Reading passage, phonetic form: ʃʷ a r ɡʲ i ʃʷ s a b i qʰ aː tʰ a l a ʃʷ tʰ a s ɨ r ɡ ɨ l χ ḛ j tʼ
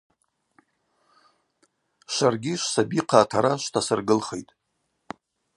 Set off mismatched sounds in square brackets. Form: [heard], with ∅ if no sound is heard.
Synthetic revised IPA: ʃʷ a r ɡʲ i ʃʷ s a b i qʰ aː tʰ a [ɾ] a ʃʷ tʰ a s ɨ r ɡ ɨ l χ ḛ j tʼ